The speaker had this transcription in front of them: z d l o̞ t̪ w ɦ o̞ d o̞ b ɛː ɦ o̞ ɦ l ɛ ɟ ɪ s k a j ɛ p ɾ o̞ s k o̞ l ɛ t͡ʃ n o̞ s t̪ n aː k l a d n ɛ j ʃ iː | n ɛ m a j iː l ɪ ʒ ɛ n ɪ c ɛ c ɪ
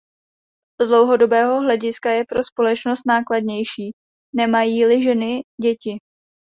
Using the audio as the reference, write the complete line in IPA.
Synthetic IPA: z d l o̞ w ɦ o̞ d o̞ b ɛː ɦ o̞ ɦ l ɛ ɟ ɪ s k a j ɛ p ɾ o̞ s p o̞ l ɛ t͡ʃ n o̞ s t̪ n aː k l a d ɲ ɛ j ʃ iː | n ɛ m a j iː l ɪ ʒ ɛ n ɪ ɟ ɛ c ɪ